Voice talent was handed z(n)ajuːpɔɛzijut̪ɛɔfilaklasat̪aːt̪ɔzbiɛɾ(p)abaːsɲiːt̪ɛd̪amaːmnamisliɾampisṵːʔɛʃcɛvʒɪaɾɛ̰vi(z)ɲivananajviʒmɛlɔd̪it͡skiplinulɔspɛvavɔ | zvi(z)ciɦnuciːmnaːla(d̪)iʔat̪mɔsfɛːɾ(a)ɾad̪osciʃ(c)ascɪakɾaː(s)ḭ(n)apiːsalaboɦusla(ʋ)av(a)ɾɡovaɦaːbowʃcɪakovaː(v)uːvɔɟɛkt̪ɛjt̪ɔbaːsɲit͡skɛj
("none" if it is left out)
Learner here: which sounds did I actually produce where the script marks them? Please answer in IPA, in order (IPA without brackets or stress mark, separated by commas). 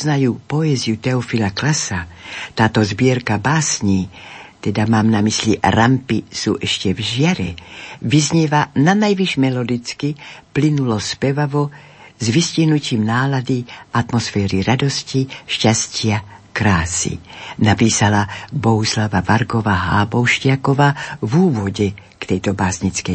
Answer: n, k, z, s, d̪, i, c, s, n, v, a, v